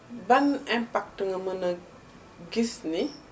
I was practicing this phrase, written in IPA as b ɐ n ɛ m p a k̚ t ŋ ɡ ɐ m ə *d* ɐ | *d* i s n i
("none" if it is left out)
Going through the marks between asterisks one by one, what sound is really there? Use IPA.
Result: n, ɡ

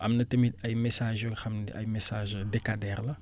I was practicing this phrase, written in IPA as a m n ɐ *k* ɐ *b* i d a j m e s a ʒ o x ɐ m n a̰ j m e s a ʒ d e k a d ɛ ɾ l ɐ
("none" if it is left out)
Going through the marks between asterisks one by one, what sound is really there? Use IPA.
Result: t, m

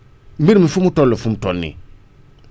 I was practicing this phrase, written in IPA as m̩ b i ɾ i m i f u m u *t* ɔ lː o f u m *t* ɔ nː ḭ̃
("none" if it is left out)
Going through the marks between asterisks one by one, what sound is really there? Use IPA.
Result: t, t

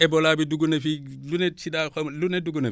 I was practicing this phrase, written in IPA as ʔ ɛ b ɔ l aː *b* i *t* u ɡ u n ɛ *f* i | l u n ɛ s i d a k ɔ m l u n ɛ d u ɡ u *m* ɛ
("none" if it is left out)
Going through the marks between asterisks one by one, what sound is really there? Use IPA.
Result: b, d, f, n

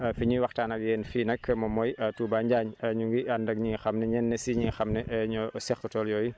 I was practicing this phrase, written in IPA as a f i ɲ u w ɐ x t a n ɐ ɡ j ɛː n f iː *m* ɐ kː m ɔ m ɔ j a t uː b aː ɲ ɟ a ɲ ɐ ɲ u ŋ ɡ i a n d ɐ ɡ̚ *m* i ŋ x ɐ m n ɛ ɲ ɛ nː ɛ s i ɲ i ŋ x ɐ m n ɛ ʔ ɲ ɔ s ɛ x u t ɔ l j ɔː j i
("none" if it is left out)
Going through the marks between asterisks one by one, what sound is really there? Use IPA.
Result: n, ɲ

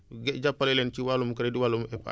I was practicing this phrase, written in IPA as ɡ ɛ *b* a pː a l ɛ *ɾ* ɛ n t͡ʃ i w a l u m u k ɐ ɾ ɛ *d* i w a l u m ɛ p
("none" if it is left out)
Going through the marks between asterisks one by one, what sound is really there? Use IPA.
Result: ɟ, l, d

